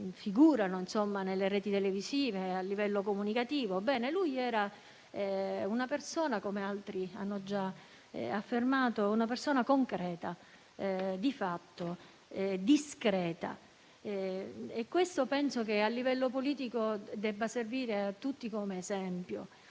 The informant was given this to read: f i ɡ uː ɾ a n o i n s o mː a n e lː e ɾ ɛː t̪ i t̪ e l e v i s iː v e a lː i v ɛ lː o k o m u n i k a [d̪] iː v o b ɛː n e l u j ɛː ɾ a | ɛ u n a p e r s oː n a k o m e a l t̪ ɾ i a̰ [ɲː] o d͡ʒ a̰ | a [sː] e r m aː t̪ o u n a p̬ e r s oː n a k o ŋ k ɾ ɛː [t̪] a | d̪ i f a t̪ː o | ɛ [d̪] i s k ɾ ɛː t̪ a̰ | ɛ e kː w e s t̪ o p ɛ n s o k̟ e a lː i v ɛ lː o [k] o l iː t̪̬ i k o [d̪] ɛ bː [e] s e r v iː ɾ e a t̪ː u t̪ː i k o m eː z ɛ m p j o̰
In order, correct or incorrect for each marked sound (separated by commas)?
incorrect, incorrect, incorrect, correct, correct, incorrect, correct, incorrect